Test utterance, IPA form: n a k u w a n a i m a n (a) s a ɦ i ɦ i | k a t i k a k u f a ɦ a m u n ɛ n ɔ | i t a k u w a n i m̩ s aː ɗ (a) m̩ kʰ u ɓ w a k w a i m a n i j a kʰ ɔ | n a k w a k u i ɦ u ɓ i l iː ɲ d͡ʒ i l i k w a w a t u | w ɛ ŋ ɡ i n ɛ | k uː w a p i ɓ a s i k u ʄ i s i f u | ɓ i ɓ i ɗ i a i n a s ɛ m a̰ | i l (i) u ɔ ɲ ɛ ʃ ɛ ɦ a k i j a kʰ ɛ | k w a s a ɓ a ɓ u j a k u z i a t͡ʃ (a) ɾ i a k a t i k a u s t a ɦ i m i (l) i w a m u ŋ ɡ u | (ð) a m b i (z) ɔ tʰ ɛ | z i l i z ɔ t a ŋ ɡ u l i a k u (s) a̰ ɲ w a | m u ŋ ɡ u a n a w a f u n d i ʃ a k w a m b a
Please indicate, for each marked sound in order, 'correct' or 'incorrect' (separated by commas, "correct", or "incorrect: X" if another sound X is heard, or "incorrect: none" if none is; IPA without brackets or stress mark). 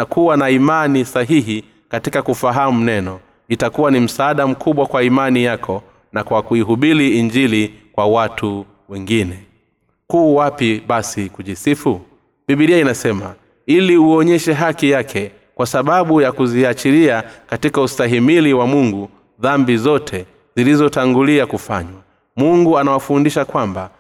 incorrect: i, correct, correct, incorrect: i, correct, correct, correct, incorrect: f